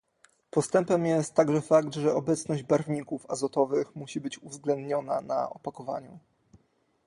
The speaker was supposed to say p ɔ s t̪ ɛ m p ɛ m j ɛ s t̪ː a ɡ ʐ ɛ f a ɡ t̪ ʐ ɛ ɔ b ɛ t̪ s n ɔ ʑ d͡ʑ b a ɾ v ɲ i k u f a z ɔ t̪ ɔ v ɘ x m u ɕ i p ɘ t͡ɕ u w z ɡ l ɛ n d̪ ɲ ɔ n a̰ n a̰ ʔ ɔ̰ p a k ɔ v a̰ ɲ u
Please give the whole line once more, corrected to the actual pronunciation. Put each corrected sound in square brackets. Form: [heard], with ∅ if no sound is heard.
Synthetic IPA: p ɔ s t̪ ɛ m p ɛ m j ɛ s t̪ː a ɡ ʐ ɛ f a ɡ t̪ ʐ ɛ ɔ b ɛ t̪ s n ɔ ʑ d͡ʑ b a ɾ v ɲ i k u f a z ɔ t̪ ɔ v ɘ x m u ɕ i [b] ɘ t͡ɕ u [v] z ɡ l ɛ n d̪ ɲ ɔ n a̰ n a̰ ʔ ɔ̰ p a k ɔ v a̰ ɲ u